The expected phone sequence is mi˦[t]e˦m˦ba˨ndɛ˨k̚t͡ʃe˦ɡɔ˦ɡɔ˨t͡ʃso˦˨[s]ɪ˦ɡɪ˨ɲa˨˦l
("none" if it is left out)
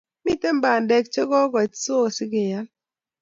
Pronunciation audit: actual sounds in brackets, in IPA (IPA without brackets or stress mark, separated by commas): t, s